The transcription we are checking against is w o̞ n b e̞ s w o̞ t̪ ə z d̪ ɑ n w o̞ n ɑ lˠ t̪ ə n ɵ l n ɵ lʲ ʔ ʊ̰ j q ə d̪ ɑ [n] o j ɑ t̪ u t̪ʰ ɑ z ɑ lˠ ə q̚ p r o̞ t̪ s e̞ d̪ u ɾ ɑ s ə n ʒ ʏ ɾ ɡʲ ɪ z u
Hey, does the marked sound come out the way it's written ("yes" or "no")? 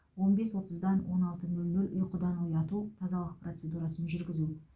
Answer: yes